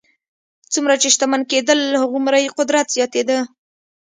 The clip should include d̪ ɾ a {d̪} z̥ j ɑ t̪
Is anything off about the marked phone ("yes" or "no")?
yes